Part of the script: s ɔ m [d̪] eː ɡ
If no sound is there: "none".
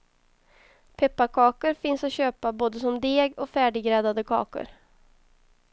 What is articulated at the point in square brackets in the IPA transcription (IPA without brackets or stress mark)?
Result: d̪